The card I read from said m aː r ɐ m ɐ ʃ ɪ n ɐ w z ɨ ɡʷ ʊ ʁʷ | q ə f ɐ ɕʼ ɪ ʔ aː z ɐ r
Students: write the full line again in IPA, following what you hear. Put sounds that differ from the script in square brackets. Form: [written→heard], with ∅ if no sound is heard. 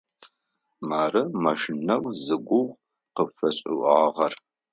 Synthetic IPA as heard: m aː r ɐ m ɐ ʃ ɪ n ɐ w z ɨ ɡʷ ʊ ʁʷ | q ə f ɐ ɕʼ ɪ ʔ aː [z→ʁ] ɐ r